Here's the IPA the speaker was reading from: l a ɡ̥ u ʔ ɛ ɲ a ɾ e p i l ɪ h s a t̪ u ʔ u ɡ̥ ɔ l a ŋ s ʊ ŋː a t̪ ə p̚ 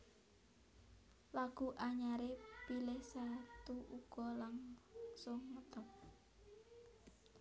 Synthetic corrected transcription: l a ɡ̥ u ʔ a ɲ a ɾ e p i l ɪ h s a t̪ u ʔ u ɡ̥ ɔ l a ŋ s ʊ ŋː ə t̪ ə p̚